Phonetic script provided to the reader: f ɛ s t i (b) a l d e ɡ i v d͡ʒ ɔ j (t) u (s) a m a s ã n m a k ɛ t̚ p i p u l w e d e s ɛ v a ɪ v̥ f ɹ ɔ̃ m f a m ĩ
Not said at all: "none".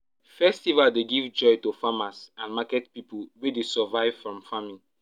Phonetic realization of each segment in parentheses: v, t, f

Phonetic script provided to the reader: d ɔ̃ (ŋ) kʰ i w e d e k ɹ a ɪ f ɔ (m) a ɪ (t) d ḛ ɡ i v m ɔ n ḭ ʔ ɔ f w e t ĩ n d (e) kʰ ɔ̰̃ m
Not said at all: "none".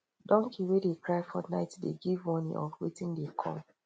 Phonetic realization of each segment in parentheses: ŋ, n, t, e

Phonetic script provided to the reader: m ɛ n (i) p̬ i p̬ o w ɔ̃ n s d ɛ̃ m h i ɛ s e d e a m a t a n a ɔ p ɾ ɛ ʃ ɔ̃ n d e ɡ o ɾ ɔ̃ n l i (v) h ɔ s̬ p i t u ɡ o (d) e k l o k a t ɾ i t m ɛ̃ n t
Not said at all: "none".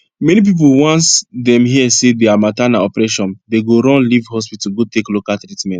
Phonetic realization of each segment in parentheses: i, v, t

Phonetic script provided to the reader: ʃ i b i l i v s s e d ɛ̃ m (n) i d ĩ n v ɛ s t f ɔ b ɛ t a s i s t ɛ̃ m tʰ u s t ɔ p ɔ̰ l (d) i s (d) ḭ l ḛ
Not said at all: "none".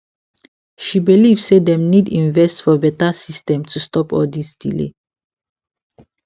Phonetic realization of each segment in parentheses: n, d, d

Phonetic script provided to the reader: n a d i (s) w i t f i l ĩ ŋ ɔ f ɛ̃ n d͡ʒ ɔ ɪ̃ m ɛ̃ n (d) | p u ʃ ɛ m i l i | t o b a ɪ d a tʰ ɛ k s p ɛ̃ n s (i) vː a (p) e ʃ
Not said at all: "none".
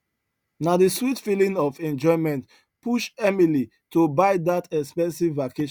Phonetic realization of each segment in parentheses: s, t, i, k

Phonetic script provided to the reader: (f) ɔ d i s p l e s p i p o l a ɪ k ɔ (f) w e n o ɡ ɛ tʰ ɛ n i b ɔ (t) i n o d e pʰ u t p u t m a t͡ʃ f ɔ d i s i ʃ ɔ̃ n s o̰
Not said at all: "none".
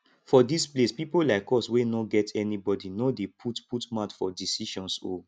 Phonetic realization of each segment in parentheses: f, s, d

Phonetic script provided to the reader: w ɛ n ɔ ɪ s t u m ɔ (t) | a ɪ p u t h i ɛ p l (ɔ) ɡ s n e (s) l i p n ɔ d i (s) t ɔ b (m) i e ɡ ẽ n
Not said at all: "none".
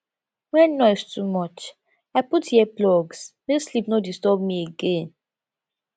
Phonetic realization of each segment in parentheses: t͡ʃ, ɔ, s, s, m

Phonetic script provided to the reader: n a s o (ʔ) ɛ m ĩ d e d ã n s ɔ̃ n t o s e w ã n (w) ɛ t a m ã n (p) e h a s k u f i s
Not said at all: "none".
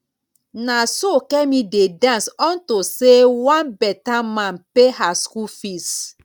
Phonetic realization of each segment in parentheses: k, b, p

